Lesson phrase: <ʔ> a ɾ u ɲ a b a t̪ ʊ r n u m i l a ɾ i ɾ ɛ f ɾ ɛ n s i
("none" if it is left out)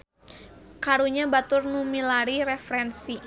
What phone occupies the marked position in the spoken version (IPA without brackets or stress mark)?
k